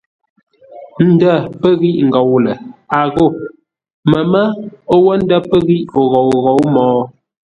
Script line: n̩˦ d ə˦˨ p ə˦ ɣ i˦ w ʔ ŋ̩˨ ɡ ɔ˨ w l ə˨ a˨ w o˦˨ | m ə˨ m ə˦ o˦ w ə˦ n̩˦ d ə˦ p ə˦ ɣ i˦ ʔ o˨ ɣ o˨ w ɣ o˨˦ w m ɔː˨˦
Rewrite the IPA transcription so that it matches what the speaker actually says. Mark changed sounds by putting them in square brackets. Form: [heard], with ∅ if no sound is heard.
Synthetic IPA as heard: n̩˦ d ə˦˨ p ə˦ ɣ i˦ [∅] ʔ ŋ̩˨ ɡ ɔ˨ w l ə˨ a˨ [ɣ] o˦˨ | m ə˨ m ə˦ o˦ w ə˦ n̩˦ d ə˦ p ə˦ ɣ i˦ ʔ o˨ ɣ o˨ w ɣ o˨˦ w m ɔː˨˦